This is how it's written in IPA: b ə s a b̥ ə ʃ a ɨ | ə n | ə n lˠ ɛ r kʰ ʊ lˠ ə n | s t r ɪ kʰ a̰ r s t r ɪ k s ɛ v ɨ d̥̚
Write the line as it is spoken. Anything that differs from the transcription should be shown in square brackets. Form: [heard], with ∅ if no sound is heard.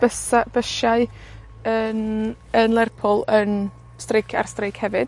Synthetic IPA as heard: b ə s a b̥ ə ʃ a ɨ | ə n | ə n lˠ ɛ r [pʰ] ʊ lˠ ə n | s t r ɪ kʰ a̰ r s t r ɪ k [h] ɛ v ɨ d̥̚

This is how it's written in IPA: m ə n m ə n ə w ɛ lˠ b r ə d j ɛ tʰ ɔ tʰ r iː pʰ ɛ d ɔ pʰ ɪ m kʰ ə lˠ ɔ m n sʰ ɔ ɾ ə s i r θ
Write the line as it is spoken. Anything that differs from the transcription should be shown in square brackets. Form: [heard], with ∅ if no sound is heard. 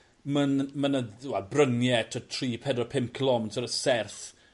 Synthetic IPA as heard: m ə n m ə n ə w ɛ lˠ b r ə [n] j ɛ tʰ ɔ tʰ r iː pʰ ɛ d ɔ pʰ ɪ m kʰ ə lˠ ɔ m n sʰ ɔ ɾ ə s [ɛ] r θ

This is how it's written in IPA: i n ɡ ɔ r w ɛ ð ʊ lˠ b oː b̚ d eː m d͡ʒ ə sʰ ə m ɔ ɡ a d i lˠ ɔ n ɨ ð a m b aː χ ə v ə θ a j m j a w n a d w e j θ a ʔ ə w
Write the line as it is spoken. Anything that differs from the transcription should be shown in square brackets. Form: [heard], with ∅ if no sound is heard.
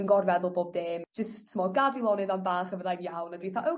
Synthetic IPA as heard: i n ɡ ɔ r [v] ɛ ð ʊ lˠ b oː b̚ d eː m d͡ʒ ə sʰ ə m ɔ ɡ a d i lˠ ɔ n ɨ ð a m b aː χ ə v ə [ð] a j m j a w n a d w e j θ a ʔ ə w

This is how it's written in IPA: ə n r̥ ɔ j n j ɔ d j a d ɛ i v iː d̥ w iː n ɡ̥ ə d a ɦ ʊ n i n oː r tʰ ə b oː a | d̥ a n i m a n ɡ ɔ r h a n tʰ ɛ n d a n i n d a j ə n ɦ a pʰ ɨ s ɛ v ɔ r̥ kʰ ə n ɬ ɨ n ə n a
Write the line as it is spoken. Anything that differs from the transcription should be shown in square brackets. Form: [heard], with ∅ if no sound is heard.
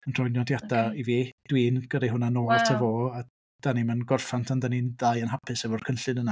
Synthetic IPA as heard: ə n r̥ ɔ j n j ɔ d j a d [a] i v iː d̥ w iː n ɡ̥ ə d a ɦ ʊ n [a] n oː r tʰ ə [v] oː a | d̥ a n i m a n ɡ ɔ r [f] a n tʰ [a] n d a n i n d a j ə n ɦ a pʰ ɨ s ɛ v ɔ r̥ kʰ ə n ɬ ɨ n ə n a

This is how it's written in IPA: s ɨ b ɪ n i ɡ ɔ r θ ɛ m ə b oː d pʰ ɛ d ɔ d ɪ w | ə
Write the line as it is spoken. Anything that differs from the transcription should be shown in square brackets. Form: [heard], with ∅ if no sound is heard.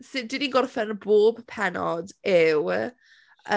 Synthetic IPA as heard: s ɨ [d] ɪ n i ɡ ɔ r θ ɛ [n] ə b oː [b] pʰ ɛ [n] ɔ d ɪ w | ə

